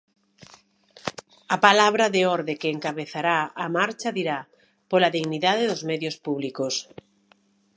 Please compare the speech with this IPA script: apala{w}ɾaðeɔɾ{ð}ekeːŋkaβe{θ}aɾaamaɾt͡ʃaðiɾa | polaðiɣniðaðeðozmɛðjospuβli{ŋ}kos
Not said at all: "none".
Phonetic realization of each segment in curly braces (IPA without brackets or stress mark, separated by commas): β, ð, θ, none